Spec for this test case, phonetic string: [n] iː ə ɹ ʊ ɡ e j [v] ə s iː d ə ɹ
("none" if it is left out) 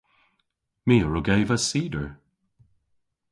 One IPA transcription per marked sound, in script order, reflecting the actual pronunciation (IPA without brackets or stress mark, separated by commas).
m, v